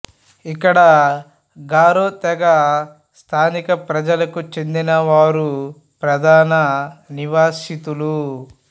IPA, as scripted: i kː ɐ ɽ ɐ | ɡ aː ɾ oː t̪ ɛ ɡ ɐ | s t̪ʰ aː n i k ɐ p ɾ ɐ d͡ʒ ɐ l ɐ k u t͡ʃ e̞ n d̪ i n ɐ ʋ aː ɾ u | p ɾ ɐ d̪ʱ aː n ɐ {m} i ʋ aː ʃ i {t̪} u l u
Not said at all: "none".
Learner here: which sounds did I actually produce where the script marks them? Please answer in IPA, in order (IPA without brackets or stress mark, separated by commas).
n, t̪